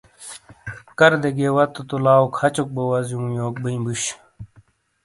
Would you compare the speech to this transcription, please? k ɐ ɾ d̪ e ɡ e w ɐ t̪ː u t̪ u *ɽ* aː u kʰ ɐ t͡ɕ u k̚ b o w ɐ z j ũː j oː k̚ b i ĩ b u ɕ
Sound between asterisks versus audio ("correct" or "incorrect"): incorrect